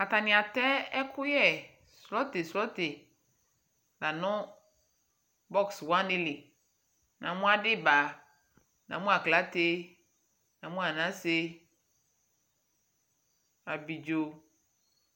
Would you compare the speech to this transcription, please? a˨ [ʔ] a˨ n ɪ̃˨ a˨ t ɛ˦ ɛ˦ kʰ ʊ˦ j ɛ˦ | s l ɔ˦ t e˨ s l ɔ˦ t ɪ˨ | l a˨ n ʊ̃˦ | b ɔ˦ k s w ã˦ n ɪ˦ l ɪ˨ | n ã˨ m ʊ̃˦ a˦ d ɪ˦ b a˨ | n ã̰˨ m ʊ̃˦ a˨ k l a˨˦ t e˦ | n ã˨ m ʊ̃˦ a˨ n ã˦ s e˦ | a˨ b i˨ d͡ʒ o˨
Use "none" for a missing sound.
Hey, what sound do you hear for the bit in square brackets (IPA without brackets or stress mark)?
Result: t